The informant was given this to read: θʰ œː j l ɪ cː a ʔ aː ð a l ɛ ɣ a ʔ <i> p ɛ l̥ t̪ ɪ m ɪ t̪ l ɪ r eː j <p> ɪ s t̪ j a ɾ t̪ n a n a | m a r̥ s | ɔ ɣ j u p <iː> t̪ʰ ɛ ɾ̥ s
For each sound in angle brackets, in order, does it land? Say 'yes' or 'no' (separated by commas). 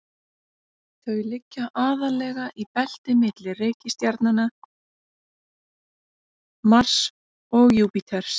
yes, no, no